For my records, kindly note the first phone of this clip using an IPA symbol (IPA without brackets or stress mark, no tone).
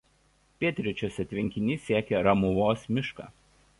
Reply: pʲ